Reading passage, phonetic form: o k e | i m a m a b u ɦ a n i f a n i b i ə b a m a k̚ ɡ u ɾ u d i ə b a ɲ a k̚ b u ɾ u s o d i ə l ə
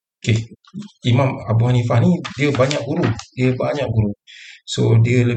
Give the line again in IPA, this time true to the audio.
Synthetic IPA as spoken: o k e | i m a m a b u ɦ a n i f a n i d i ə b a ɲ a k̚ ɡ u ɾ u d i ə b a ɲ a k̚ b u ɾ u s o d i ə l ə